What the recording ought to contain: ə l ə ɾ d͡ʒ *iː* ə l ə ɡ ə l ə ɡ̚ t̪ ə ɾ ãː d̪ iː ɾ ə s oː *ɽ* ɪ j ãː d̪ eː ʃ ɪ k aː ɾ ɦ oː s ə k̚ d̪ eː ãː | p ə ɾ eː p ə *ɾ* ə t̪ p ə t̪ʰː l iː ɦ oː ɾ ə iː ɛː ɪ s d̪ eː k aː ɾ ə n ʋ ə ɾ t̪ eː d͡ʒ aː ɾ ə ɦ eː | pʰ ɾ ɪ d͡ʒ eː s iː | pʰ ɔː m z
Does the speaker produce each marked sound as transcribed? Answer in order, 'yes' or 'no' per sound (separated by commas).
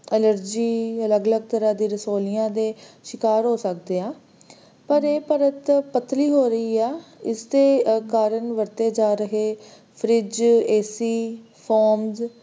yes, no, yes